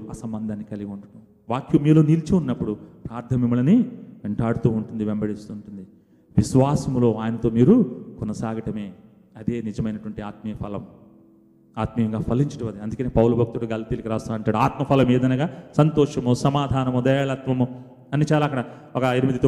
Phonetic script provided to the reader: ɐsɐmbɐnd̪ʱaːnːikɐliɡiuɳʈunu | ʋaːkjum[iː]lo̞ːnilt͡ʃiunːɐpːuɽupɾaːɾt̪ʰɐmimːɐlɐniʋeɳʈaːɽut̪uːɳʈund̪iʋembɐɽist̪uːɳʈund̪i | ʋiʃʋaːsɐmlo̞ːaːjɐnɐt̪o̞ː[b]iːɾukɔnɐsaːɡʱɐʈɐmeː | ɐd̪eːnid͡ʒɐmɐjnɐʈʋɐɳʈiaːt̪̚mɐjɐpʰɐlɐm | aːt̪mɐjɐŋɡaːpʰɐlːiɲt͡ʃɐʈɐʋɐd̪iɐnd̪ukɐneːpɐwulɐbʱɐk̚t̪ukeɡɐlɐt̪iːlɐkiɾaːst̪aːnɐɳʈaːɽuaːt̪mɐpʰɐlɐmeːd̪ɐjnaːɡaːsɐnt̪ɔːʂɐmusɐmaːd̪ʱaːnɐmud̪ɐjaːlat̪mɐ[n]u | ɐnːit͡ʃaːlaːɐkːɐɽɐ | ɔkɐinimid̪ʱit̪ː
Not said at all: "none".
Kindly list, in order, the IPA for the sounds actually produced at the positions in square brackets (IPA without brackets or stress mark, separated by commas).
iː, m, m